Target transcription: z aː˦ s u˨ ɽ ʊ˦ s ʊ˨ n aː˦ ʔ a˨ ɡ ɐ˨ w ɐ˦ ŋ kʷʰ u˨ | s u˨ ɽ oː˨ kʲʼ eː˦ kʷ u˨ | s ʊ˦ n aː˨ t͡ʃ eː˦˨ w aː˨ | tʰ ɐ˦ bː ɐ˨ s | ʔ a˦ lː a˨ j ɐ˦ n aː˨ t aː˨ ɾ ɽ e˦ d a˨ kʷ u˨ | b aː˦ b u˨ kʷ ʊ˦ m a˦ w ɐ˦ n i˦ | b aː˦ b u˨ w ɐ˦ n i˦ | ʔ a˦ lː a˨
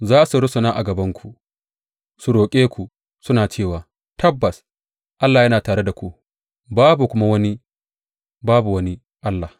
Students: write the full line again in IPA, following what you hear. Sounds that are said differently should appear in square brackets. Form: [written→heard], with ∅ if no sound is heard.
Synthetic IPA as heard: z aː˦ s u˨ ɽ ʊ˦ s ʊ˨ n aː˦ ʔ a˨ ɡ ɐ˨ [w→b] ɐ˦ ŋ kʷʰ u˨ | s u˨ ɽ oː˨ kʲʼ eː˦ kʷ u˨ | s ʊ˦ n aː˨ t͡ʃ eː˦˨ w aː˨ | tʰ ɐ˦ bː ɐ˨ s | ʔ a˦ lː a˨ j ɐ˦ n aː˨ t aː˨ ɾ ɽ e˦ d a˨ kʷ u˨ | b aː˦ b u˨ kʷ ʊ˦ m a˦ w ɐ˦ n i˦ | b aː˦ b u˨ w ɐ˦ n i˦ | ʔ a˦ lː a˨